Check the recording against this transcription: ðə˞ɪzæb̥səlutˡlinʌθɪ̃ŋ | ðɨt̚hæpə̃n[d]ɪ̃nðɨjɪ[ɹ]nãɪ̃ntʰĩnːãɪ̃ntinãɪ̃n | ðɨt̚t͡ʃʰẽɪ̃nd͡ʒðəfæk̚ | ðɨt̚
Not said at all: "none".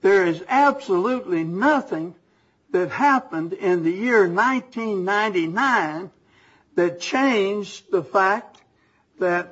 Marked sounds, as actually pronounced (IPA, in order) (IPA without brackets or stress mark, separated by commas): d, ɹ